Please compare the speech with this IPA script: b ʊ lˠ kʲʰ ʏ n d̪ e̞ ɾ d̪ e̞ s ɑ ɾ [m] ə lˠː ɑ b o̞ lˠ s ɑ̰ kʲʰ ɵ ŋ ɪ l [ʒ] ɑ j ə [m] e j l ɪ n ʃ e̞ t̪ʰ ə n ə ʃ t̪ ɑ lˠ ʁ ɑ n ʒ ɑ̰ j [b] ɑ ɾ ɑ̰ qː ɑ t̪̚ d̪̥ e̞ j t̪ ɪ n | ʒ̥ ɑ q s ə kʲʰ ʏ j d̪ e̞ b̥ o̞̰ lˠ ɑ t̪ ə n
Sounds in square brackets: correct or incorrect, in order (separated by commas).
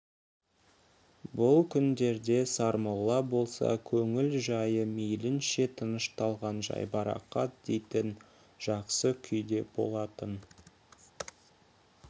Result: correct, correct, correct, correct